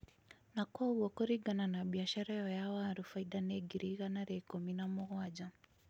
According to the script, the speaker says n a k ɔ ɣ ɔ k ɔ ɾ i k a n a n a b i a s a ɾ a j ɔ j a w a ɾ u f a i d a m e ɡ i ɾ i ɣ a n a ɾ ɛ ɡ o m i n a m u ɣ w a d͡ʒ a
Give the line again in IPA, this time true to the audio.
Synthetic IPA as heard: n a k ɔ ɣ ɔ k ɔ ɾ i ɡ a n a n a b i a ʃ a ɾ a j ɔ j a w a ɾ u f a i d a n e ɡ i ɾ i ɣ a n a ɾ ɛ k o m i n a m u ɣ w a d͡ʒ a